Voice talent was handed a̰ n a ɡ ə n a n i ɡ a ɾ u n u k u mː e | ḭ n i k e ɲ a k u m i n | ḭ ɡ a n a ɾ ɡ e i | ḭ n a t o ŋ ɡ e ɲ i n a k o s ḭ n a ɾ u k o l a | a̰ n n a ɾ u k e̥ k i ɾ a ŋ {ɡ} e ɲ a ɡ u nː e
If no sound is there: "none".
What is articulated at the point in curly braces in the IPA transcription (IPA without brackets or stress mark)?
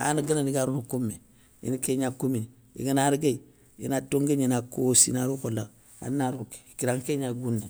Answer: k